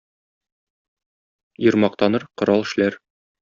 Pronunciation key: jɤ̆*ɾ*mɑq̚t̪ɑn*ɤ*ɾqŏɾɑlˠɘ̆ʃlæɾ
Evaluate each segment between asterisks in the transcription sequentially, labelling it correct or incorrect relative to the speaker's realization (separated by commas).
correct, correct